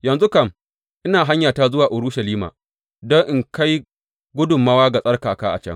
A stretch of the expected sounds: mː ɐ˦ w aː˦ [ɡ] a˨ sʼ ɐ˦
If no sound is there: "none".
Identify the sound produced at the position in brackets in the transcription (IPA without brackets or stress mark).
ɡ